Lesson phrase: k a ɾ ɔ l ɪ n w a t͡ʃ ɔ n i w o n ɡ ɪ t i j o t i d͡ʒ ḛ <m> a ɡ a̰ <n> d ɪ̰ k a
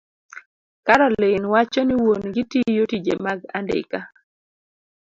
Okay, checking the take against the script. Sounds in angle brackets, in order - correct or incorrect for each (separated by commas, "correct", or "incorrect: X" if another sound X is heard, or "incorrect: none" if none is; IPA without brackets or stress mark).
correct, correct